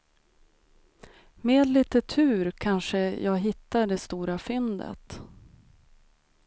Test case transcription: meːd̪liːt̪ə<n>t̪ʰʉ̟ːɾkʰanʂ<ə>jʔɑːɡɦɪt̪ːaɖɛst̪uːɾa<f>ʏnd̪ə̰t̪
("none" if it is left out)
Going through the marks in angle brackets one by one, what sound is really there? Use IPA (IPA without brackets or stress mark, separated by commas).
none, ə, f